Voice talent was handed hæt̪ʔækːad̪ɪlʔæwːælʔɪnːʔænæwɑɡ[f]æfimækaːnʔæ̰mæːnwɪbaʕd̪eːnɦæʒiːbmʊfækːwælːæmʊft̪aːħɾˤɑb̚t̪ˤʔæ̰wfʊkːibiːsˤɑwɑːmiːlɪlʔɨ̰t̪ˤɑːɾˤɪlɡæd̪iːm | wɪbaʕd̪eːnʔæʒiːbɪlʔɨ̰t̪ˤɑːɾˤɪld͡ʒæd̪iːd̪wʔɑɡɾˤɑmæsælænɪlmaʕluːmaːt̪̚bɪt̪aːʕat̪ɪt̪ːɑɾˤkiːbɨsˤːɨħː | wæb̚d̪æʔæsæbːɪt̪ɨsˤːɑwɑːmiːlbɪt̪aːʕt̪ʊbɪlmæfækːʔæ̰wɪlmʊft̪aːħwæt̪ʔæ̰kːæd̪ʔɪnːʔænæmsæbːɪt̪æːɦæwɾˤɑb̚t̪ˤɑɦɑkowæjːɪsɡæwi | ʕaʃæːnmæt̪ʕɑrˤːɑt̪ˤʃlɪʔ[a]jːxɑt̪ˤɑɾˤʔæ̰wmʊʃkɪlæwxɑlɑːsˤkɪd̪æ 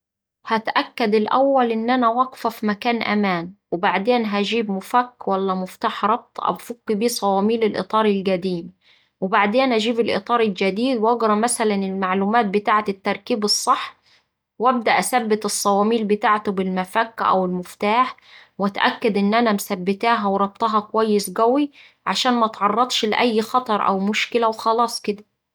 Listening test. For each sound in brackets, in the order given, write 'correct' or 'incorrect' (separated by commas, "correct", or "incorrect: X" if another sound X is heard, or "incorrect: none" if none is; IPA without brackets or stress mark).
correct, incorrect: æ